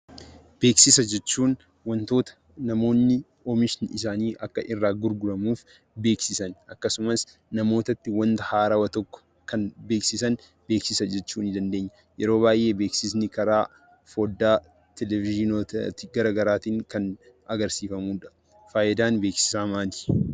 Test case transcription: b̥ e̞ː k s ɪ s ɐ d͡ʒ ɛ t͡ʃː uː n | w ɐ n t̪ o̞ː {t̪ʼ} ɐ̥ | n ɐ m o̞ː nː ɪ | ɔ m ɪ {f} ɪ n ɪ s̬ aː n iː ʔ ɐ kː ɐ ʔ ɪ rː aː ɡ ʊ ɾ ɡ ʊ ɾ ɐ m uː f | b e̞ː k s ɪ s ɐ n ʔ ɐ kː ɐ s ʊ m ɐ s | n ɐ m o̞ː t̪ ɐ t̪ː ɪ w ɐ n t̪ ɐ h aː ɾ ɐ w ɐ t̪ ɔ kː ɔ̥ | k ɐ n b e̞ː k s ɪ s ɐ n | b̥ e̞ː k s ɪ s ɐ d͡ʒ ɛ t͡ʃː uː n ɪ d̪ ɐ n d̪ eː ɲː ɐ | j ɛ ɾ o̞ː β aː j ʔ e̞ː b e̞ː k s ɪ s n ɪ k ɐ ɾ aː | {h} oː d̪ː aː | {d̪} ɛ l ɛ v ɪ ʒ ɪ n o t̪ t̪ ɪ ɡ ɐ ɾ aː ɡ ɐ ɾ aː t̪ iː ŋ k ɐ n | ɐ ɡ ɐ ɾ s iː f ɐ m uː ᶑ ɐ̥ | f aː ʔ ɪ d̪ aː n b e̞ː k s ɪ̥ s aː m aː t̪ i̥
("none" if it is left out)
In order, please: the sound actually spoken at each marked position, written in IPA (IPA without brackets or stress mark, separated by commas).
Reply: t̪, ʃ, f, t̪